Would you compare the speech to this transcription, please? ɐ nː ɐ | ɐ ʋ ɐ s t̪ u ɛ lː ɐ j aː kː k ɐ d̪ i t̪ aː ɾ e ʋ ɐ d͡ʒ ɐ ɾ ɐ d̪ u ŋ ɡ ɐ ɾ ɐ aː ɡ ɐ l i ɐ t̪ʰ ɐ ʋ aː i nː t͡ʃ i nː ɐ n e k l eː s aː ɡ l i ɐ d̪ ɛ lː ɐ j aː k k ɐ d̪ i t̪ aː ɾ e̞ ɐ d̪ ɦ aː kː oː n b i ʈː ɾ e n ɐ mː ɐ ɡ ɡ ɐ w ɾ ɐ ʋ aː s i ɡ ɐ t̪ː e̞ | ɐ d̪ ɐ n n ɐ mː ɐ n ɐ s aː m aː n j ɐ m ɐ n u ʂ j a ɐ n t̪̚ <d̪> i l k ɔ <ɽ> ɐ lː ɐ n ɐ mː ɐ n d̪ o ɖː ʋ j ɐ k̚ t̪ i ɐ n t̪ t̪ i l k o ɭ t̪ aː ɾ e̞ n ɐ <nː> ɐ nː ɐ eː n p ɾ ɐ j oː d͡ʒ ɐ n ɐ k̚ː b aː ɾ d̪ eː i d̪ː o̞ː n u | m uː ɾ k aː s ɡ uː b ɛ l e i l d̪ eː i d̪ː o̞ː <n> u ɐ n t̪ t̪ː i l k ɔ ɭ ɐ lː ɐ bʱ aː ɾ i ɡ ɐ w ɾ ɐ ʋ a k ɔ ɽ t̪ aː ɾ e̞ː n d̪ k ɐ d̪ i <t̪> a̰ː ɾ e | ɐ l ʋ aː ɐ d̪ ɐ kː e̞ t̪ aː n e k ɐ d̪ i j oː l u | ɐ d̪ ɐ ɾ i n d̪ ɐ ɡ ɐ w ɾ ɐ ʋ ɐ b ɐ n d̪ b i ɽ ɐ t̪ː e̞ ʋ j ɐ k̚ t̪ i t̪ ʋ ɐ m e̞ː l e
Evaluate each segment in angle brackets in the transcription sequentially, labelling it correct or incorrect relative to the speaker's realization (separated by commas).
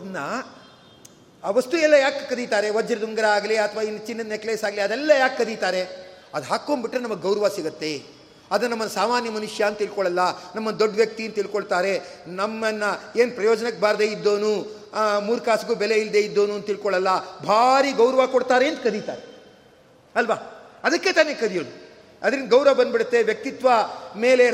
incorrect, incorrect, incorrect, correct, correct